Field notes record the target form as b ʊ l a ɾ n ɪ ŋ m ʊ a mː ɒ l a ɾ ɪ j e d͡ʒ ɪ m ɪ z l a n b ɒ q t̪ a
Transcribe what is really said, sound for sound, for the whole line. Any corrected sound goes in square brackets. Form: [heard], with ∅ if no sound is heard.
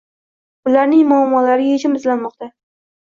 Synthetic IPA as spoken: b ʊ l a ɾ n ɪ ŋ m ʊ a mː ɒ l a ɾ ɪ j e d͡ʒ ɪ m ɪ z l a n [m] ɒ q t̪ a